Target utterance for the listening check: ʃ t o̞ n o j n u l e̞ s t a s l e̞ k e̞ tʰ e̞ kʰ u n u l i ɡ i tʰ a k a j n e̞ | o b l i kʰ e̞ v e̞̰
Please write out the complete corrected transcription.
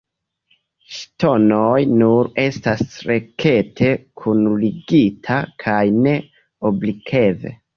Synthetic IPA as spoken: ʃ t o̞ n o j n u ɾ e̞ s t a s ɾ e̞ k e̞ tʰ e̞ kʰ u n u l i ɡ i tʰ a kʰ a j n e̞ | o b l i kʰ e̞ v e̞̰